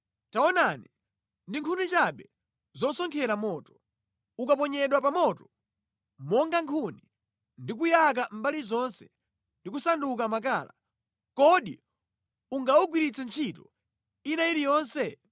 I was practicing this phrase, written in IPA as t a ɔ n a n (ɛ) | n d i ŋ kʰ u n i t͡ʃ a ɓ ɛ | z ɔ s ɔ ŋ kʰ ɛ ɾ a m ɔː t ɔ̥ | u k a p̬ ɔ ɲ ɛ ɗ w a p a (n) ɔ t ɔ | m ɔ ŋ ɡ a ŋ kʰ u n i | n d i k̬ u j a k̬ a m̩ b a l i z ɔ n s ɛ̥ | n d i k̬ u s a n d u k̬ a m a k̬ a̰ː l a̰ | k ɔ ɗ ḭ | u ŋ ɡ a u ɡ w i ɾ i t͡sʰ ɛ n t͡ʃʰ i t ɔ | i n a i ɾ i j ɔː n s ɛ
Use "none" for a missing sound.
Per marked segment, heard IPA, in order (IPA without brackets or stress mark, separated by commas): i, m